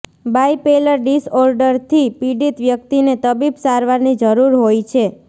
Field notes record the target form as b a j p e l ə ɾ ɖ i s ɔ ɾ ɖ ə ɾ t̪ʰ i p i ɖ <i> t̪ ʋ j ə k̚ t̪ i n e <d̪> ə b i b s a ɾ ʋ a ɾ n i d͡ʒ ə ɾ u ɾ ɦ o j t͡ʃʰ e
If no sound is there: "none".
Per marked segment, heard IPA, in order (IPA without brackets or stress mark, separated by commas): i, t̪